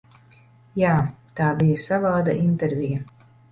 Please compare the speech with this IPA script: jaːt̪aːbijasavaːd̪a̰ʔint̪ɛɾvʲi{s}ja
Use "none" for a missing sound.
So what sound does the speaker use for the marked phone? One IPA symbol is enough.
none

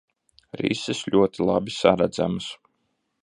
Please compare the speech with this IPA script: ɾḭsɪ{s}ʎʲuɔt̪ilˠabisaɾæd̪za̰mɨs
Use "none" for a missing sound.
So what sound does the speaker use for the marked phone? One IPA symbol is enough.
s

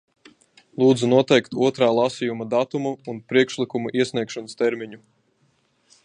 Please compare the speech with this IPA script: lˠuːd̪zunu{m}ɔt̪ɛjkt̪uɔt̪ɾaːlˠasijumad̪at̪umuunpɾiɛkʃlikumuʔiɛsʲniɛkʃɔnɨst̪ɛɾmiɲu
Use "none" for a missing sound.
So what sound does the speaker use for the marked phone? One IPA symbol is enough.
none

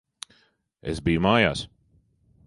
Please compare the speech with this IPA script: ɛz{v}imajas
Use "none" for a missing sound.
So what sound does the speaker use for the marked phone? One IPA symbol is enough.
b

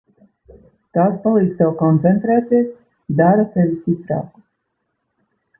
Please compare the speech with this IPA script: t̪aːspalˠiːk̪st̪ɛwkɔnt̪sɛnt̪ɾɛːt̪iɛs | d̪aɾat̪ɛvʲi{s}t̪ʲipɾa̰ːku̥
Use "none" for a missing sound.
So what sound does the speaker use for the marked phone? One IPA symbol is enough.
s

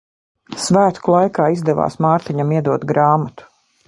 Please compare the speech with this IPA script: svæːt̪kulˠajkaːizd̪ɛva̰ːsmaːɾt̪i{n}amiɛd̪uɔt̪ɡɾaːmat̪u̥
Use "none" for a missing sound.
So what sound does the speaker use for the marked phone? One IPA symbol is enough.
ɲ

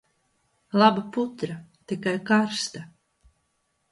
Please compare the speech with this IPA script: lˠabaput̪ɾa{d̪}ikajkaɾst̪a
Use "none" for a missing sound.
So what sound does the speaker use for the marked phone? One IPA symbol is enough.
t̪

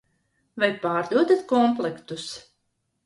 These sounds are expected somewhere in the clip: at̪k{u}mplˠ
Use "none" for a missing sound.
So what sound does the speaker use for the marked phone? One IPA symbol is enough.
ɔ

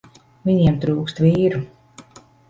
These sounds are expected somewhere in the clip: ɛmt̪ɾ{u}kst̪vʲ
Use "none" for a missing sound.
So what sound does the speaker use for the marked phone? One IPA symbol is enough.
uː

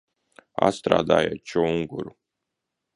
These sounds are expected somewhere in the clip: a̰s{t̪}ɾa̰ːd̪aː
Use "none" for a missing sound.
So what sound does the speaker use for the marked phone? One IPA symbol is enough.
t̪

